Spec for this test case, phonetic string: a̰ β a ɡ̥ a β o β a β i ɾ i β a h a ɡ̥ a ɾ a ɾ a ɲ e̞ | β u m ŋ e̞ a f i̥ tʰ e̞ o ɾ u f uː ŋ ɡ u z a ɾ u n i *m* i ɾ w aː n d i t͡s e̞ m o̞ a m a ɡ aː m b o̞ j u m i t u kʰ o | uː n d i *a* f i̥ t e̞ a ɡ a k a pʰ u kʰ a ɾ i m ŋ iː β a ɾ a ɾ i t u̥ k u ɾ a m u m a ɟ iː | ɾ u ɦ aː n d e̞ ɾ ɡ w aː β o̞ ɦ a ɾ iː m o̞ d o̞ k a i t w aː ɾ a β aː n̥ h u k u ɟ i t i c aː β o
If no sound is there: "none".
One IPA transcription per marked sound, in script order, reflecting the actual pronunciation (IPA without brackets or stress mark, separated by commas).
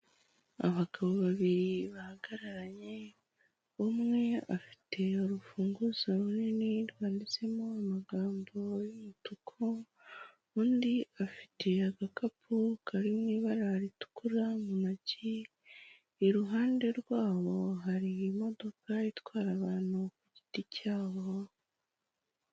n, a